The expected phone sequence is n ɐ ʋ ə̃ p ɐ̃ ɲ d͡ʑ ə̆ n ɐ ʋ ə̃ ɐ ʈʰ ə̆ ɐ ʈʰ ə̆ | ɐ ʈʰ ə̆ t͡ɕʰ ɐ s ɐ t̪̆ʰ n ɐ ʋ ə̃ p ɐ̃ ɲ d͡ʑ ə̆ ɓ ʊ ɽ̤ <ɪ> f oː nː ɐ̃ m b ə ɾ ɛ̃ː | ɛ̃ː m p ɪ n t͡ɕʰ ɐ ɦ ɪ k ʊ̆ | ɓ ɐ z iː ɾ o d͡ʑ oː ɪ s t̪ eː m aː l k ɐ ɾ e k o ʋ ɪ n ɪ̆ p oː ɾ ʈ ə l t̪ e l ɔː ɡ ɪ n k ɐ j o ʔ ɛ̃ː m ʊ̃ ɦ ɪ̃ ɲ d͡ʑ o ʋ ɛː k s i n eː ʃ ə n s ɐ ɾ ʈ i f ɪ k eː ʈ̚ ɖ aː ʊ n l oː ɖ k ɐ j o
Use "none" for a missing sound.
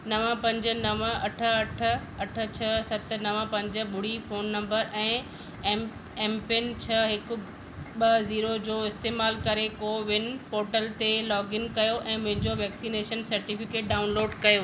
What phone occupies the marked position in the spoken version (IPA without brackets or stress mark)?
i